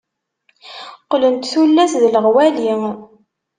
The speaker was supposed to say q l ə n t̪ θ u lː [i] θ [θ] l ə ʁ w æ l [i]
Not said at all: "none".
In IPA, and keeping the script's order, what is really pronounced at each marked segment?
æ, ð, i

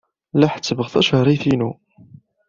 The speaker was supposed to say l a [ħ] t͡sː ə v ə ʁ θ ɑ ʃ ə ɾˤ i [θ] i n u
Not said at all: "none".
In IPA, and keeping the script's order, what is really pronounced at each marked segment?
ħ, θ

